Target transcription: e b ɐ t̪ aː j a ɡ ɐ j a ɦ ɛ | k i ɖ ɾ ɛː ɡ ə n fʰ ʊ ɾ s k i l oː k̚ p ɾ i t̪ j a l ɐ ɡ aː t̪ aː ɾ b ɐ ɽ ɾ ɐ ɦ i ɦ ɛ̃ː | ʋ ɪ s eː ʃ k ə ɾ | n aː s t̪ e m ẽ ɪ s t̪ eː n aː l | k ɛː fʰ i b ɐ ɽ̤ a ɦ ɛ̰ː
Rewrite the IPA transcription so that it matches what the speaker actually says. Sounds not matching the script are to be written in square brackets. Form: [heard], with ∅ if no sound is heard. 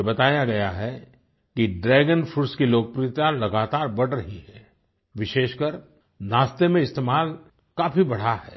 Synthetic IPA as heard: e b ɐ t̪ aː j a ɡ ɐ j a ɦ ɛ | k i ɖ ɾ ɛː ɡ ə n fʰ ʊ ɾ s k i l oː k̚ p ɾ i t̪ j a l ɐ ɡ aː t̪ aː ɾ b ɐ ɽ ɾ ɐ ɦ i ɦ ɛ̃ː | ʋ ɪ [ʃ] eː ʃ k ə ɾ | n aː s t̪ e m ẽ ɪ s t̪ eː [m] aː l | k [aː] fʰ i b ɐ ɽ̤ a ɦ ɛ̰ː